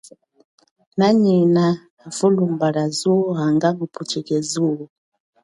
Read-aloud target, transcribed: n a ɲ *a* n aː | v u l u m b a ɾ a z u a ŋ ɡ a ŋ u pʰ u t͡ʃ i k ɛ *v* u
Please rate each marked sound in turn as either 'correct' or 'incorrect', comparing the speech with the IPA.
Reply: incorrect, incorrect

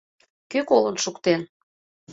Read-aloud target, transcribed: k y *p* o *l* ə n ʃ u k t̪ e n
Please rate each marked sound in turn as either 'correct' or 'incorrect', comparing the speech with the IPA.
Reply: incorrect, correct

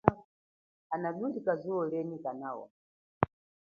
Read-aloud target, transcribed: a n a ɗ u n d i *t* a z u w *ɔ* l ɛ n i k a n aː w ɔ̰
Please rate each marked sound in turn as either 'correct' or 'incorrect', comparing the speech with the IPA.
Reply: incorrect, correct

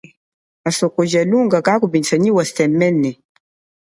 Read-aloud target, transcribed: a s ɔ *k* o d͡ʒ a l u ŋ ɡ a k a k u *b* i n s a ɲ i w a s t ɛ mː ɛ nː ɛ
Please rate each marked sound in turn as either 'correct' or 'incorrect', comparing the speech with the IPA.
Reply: correct, correct

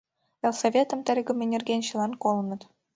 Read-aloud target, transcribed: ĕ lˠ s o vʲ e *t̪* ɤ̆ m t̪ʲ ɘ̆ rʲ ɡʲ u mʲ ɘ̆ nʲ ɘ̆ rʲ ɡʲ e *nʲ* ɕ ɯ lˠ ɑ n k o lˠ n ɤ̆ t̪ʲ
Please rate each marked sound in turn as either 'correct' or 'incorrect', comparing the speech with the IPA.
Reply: correct, correct

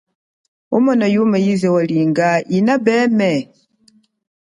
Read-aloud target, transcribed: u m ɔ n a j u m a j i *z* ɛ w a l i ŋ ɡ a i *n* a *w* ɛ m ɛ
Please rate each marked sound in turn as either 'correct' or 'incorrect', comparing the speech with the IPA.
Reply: correct, correct, incorrect

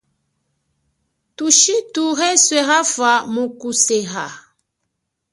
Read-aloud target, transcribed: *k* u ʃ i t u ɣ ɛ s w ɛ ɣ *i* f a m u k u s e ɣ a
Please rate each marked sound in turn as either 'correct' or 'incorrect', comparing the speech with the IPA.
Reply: incorrect, incorrect

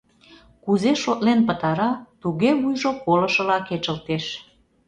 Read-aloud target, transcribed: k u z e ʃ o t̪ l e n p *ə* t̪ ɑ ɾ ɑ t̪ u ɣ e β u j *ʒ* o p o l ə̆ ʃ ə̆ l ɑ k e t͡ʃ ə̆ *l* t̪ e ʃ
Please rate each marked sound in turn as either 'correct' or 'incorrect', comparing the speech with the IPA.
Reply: correct, correct, correct

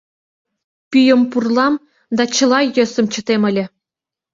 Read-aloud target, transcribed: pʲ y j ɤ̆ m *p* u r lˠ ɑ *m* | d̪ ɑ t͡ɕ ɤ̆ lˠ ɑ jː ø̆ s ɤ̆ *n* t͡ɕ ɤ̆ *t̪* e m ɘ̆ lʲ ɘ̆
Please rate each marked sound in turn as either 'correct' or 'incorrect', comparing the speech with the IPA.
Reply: correct, correct, incorrect, correct

